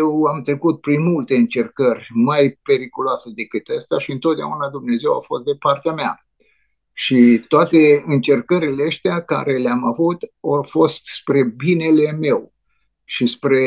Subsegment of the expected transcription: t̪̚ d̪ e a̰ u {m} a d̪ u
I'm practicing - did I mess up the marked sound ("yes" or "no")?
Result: yes